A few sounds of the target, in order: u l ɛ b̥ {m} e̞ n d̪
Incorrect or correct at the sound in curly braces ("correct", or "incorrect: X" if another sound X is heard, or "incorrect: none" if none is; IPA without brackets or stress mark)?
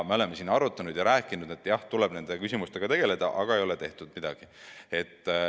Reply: incorrect: n